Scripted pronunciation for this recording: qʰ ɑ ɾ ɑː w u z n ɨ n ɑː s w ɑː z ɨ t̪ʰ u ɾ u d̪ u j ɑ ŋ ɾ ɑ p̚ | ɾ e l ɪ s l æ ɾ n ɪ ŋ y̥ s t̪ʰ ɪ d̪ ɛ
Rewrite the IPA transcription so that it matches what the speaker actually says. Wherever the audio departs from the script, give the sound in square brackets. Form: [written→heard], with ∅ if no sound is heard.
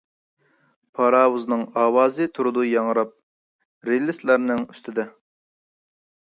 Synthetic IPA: [qʰ→pʰ] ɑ ɾ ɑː w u z n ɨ [n→ŋ] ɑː [s→∅] w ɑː z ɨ t̪ʰ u ɾ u d̪ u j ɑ ŋ ɾ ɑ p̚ | ɾ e l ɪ s l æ ɾ n ɪ ŋ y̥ s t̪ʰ ɪ d̪ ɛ